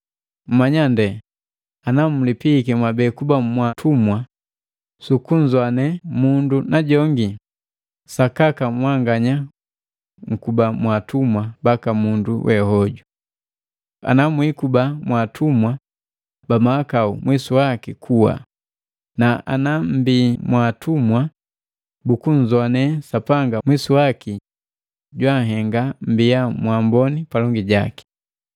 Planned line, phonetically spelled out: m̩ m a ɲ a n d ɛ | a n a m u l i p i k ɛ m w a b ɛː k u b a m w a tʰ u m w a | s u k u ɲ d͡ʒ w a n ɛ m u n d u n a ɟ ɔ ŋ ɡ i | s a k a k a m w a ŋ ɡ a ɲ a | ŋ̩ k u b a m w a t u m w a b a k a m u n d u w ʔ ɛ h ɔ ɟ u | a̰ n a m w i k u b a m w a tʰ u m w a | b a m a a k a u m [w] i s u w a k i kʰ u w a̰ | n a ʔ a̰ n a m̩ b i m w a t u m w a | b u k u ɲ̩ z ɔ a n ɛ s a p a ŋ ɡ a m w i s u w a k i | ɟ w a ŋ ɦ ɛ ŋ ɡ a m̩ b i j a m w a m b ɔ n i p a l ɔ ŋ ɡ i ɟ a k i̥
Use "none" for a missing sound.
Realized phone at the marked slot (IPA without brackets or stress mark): w